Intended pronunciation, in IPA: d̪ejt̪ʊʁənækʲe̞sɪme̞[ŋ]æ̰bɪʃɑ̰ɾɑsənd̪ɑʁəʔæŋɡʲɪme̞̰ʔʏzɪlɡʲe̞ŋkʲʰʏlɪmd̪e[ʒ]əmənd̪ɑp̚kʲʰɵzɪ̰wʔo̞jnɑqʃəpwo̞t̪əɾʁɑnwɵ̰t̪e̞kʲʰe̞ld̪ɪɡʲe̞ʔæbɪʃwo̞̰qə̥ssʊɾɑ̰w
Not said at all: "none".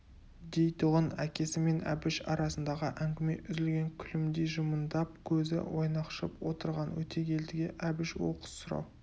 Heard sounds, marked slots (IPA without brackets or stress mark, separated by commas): n, ʒ